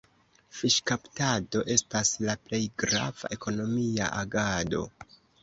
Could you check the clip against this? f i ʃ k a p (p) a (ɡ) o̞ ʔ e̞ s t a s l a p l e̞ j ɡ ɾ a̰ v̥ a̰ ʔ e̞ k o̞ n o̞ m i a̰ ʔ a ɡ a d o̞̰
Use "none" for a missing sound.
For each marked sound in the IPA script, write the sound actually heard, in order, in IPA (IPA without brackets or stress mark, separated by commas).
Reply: t, d